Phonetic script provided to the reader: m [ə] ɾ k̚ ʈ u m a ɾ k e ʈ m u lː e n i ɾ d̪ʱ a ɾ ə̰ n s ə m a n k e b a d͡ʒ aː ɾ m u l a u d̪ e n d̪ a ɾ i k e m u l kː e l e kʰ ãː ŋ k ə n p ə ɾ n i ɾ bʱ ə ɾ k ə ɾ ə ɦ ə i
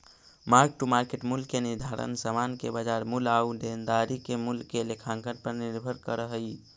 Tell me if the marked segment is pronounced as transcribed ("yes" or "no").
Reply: no